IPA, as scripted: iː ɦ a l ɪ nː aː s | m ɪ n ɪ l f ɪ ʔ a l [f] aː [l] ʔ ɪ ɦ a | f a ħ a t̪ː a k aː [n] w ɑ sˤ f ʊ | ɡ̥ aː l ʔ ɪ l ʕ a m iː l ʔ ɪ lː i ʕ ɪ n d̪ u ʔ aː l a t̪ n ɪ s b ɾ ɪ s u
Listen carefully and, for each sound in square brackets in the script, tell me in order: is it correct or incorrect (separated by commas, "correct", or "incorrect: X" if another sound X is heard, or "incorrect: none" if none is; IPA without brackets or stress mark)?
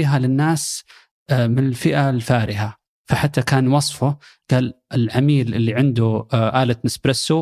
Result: correct, incorrect: ɾ, correct